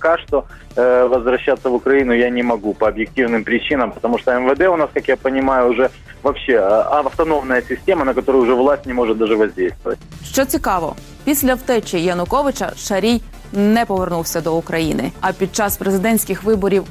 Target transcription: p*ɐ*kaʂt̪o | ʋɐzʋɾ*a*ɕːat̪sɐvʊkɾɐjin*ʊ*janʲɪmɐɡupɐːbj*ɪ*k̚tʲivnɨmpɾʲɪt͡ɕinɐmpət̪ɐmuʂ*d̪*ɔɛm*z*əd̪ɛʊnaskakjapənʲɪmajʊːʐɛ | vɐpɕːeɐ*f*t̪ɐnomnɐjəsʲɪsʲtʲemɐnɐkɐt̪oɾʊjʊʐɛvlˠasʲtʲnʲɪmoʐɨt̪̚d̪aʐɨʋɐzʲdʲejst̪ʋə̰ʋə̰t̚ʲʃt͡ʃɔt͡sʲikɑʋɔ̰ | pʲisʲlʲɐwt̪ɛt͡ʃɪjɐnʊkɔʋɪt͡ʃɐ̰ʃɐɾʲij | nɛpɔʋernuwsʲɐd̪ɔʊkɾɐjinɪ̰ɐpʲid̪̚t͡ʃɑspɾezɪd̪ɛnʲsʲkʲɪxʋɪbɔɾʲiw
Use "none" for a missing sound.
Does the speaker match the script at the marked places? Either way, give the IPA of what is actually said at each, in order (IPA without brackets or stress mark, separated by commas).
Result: ɐ, ɐ, ʊ, ɪ, t̪, v, f